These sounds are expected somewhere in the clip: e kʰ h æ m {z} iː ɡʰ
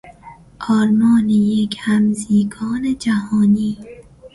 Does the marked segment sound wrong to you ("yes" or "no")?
no